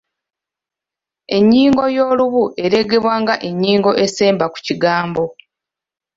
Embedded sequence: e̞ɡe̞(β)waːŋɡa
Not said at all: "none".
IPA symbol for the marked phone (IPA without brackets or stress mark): β